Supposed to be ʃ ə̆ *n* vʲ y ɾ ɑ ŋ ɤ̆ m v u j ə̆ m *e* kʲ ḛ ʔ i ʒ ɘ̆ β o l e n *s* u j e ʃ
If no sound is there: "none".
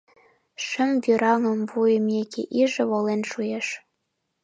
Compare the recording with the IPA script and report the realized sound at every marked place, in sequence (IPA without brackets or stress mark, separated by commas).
m, e, ʃ